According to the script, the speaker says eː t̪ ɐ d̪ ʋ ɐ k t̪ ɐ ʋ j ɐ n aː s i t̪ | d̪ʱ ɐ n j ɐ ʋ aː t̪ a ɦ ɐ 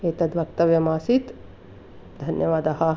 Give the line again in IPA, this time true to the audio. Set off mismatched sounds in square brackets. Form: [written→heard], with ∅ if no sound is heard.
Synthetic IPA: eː t̪ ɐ d̪ ʋ ɐ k t̪ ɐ ʋ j ɐ [n→m] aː s i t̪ | d̪ʱ ɐ n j ɐ ʋ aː [t̪→d̪] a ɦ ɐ

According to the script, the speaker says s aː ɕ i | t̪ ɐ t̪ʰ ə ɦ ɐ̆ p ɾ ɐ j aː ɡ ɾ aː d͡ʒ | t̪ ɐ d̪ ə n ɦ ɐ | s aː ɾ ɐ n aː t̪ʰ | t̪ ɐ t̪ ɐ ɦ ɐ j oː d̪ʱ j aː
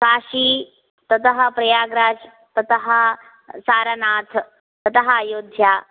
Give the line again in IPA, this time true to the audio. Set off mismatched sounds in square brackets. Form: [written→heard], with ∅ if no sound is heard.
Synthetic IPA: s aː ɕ i | t̪ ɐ [t̪ʰ→t̪] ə ɦ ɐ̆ p ɾ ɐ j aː ɡ ɾ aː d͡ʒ | t̪ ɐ [d̪→t̪] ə [n→∅] ɦ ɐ | s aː ɾ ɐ n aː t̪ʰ | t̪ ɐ t̪ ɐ ɦ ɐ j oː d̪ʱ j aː

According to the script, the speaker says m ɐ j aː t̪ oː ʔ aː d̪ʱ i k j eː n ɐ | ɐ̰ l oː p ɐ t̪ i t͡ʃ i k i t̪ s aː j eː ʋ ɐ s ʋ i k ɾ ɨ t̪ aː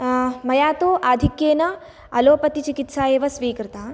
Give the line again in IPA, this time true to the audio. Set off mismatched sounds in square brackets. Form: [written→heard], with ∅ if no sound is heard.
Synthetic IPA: m ɐ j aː t̪ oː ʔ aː d̪ʱ i k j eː n ɐ | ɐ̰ l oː p ɐ t̪ i t͡ʃ i k i t̪ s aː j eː ʋ ɐ s ʋ [i→iː] k ɾ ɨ t̪ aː

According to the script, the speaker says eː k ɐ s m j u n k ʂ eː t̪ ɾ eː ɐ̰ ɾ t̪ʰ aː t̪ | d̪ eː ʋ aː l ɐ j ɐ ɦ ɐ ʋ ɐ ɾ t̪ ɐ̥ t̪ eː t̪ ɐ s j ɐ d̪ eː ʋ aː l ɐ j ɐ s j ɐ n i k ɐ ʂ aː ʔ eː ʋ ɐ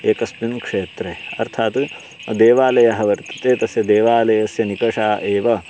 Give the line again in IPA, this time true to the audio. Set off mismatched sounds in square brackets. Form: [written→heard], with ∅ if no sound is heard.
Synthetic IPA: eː k ɐ s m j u n k ʂ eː t̪ ɾ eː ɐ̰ ɾ t̪ʰ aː t̪ | d̪ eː ʋ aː l ɐ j ɐ ɦ ɐ ʋ ɐ ɾ t̪ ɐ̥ t̪ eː t̪ ɐ s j ɐ d̪ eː ʋ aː l ɐ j ɐ s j ɐ n i k ɐ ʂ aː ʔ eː ʋ ɐ

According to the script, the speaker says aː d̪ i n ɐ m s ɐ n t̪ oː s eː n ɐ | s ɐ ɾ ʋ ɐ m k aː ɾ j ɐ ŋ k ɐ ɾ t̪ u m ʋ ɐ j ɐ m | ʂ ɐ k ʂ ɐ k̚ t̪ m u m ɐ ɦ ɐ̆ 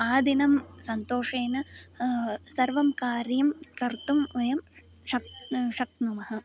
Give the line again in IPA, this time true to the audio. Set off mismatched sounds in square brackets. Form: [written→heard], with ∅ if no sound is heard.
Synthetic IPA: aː d̪ i n ɐ m s ɐ n t̪ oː [s→ʂ] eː n ɐ | s ɐ ɾ ʋ ɐ m k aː ɾ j ɐ [ŋ→m] k ɐ ɾ t̪ u m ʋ ɐ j ɐ m | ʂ ɐ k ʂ ɐ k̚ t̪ [m→n] u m ɐ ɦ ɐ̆

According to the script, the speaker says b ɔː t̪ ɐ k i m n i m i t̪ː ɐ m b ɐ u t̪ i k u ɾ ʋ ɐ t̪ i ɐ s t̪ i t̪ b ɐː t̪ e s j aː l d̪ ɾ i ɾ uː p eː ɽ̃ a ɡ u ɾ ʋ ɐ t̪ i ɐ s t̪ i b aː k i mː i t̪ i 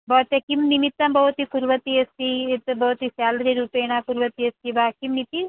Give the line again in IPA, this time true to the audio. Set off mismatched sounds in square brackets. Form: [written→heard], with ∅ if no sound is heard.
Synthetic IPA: b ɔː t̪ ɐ k i m n i m i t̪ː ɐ m b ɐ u t̪ i k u ɾ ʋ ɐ t̪ i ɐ s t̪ i t̪ b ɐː t̪ [e→i] s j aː l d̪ ɾ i ɾ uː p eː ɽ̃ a [ɡ→k] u ɾ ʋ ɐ t̪ i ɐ s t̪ i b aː k i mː i t̪ i

